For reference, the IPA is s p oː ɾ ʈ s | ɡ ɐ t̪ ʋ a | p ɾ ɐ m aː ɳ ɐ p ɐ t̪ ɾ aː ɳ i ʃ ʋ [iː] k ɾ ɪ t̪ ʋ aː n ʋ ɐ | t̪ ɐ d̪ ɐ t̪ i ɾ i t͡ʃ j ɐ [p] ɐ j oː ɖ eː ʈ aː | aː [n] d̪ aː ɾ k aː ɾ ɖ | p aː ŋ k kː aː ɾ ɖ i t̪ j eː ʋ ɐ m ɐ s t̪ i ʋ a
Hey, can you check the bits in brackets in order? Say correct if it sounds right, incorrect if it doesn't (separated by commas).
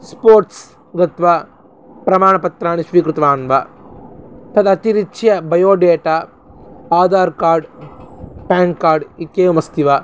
correct, incorrect, incorrect